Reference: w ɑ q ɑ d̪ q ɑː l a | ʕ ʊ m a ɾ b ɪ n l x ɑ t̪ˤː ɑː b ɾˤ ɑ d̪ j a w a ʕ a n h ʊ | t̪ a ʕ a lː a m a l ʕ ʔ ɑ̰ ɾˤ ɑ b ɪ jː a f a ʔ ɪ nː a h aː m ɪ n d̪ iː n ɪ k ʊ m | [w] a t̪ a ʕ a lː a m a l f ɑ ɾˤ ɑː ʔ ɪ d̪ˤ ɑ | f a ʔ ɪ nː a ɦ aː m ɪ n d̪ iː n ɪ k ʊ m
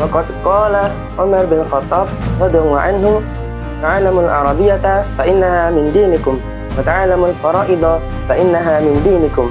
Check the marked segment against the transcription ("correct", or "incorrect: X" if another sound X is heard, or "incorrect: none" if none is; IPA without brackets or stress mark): correct